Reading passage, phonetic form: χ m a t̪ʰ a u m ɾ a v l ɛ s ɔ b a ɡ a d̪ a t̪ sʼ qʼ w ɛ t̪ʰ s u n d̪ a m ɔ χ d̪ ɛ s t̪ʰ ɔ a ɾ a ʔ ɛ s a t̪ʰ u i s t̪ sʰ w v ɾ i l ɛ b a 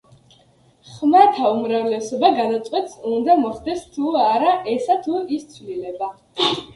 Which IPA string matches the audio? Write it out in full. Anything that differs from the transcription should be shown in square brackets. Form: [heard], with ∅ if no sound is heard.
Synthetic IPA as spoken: χ m a t̪ʰ a u m ɾ a v l ɛ s ɔ b a ɡ a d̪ a t̪ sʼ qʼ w ɛ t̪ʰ s u n d̪ a m ɔ χ d̪ ɛ s t̪ʰ [u] a ɾ a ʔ ɛ s a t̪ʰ u i s t̪ sʰ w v [l] i l ɛ b a